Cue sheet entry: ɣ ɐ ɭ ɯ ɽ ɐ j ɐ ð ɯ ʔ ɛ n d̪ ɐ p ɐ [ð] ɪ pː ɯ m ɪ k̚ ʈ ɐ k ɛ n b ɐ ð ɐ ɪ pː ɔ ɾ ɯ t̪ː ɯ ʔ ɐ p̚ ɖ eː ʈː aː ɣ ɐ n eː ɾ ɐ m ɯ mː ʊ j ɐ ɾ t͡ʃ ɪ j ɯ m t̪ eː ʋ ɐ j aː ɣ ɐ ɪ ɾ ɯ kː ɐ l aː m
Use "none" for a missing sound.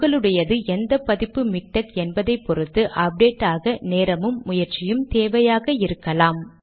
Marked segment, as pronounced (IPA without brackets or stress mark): ð